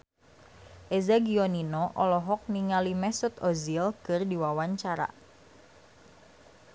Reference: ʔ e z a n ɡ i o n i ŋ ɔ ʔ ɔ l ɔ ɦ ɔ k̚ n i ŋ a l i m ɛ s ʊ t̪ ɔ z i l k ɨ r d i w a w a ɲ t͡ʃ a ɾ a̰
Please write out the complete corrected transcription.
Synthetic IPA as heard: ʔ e z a ɡ i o n i n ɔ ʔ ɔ l ɔ ɦ ɔ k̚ n i ŋ a l i m ɛ s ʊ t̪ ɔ z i l k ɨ r d i w a w a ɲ t͡ʃ a ɾ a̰